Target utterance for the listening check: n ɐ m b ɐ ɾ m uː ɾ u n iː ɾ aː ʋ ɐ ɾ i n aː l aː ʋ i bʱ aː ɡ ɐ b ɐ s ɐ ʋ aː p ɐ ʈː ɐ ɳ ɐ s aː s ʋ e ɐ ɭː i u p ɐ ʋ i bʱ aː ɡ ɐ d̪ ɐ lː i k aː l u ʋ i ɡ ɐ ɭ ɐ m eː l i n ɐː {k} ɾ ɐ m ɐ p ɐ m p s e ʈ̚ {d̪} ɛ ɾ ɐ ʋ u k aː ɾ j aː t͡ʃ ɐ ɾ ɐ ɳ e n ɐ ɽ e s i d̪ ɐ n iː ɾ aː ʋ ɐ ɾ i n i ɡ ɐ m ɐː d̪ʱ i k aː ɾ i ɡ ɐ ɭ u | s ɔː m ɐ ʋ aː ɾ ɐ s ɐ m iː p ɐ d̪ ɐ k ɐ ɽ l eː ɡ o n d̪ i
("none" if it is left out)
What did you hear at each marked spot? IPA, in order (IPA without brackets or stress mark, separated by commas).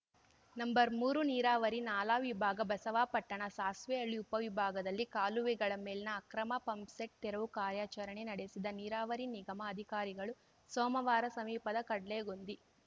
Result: k, t̪